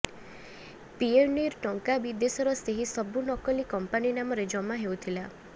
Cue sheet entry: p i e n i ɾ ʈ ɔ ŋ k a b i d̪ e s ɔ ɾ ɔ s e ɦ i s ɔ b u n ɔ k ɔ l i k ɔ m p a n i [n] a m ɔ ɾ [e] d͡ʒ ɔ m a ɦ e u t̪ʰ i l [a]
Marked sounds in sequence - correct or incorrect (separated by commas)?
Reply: correct, correct, correct